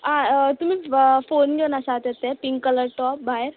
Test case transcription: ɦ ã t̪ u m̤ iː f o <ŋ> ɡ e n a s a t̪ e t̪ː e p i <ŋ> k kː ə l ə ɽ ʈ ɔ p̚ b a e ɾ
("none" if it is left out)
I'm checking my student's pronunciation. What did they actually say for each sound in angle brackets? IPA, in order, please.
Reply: n, ŋ

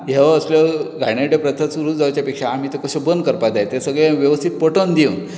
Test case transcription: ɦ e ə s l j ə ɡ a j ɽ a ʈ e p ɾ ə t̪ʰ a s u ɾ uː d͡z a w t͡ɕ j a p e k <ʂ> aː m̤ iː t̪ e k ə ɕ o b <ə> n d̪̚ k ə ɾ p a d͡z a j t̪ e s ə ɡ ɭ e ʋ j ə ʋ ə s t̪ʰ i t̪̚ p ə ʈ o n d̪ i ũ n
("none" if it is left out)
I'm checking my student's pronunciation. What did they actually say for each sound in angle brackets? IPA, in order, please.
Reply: ʂ, ə

